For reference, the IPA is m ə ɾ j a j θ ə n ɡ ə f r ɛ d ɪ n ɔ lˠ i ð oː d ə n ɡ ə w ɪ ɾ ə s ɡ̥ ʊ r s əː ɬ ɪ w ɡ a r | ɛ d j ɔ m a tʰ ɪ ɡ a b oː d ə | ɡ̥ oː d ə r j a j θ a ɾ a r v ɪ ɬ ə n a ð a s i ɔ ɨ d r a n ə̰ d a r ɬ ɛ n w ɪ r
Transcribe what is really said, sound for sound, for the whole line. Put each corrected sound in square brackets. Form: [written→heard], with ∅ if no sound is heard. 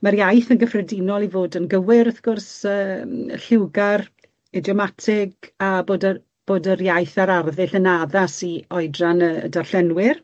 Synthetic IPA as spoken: m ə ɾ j a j θ ə n ɡ ə f r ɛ d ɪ n ɔ lˠ i [ð→v] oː d ə n ɡ ə w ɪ ɾ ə [s→θ] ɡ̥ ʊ r s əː ɬ ɪ w ɡ a r | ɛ d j ɔ m a tʰ ɪ ɡ a b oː d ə | [ɡ̥→b̥] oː d ə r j a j θ a ɾ a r [v→ð] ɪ ɬ ə n a ð a s i ɔ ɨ d r a n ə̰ d a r ɬ ɛ n w ɪ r